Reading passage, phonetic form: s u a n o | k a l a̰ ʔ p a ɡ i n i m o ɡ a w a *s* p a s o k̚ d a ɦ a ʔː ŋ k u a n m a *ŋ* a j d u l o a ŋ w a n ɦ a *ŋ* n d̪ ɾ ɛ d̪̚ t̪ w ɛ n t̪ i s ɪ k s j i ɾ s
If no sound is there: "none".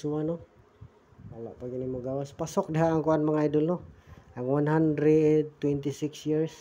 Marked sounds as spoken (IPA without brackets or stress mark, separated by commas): s, ŋ, none